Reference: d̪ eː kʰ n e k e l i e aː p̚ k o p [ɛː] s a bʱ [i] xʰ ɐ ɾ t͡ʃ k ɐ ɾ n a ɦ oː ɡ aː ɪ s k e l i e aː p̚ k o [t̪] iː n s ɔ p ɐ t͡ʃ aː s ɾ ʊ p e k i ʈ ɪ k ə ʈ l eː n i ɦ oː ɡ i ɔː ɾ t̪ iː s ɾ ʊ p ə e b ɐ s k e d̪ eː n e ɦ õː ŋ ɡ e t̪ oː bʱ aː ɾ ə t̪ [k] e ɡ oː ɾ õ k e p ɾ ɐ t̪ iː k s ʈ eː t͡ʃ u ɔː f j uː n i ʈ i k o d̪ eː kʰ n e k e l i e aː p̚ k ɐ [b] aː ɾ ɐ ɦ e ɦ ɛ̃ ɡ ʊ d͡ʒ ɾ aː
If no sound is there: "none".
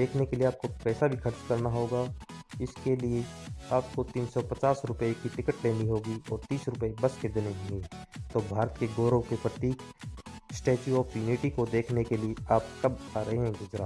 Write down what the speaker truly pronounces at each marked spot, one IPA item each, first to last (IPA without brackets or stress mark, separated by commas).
ɛː, i, t̪, k, b